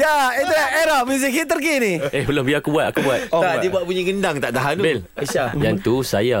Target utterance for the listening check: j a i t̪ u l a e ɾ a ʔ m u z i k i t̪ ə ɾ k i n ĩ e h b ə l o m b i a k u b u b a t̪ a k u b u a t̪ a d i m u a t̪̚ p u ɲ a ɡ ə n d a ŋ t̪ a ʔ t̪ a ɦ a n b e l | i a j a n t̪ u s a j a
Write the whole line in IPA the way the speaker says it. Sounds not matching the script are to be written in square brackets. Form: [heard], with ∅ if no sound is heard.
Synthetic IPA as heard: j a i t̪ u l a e ɾ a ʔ m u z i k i t̪ ə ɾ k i n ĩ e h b ə l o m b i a k u b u [∅] a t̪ a k u b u a t̪ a d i [b] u a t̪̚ p u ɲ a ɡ ə n d a ŋ t̪ a ʔ t̪ a ɦ a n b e l | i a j a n t̪ u s a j a